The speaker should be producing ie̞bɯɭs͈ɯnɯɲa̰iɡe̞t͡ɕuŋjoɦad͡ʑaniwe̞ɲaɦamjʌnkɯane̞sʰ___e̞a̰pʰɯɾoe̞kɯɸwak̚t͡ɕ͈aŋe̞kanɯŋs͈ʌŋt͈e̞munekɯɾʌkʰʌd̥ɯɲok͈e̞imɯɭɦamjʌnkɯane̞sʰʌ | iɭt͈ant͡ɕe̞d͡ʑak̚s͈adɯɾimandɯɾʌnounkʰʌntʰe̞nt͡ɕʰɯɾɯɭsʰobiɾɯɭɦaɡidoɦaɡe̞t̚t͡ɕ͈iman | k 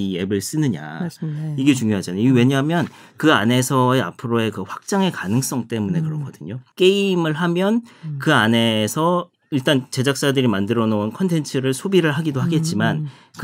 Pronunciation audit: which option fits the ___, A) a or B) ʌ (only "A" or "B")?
B